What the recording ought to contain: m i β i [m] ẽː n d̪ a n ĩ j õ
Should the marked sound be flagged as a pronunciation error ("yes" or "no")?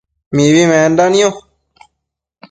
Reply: no